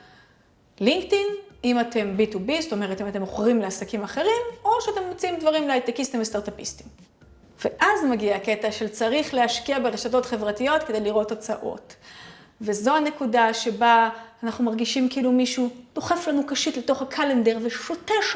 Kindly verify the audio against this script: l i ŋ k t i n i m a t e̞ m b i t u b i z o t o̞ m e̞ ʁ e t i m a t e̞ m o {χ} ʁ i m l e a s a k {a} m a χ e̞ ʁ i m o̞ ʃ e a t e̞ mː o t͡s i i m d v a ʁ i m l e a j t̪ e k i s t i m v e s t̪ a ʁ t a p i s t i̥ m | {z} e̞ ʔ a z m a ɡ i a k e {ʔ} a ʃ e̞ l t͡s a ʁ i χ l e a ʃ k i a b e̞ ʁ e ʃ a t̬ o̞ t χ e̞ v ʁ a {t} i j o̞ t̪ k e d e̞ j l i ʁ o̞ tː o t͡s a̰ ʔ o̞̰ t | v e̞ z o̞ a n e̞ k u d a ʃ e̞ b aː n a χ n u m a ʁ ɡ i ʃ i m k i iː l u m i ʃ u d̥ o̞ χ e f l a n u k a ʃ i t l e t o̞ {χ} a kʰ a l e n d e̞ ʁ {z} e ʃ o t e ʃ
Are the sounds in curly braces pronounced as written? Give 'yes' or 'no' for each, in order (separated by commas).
yes, no, no, no, yes, yes, no